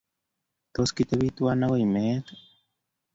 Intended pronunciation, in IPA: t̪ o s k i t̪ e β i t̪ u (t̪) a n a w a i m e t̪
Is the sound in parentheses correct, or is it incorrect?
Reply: incorrect